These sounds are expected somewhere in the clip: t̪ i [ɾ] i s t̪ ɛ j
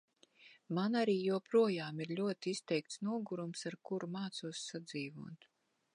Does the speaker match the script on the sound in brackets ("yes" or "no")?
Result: no